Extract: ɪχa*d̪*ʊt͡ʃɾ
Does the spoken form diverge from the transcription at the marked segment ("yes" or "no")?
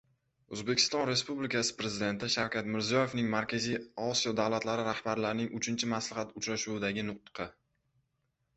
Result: yes